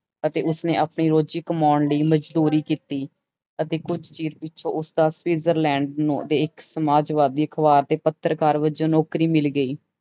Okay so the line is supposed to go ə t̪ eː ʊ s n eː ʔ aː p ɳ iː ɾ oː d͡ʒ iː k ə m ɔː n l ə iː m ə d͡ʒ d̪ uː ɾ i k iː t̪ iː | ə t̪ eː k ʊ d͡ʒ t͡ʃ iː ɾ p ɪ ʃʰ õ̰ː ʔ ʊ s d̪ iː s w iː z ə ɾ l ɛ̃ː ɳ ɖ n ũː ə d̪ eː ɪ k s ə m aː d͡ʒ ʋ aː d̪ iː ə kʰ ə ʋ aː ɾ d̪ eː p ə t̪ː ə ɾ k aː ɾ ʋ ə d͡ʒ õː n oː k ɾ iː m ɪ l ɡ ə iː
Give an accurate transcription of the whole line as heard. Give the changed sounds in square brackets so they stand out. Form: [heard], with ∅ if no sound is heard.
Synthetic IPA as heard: ə t̪ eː ʊ s n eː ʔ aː p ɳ iː ɾ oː d͡ʒ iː k ə m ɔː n l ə iː m ə d͡ʒ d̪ uː ɾ [iː] k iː t̪ iː | ə t̪ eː k ʊ d͡ʒ t͡ʃ iː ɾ p ɪ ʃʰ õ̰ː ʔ ʊ s d̪ [aː] s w iː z ə ɾ l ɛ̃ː ɳ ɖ n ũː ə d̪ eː ɪ k s ə m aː d͡ʒ ʋ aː d̪ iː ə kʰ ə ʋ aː ɾ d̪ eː p ə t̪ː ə ɾ k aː ɾ ʋ ə d͡ʒ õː n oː k ɾ iː m ɪ l ɡ ə iː